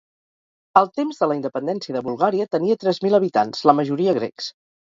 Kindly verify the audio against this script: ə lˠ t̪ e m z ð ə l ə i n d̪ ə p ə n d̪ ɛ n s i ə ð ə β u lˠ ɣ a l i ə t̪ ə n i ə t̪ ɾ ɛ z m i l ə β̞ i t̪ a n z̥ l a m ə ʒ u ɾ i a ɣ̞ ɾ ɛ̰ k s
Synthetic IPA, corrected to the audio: ə lˠ t̪ e m z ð ə l ə i n d̪ ə p ə n d̪ ɛ n s i ə ð ə β u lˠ ɣ a ɾ i ə t̪ ə n i ə t̪ ɾ ɛ z m i l ə β̞ i t̪ a n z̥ l ə m ə ʒ u ɾ i ə ɣ̞ ɾ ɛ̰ k s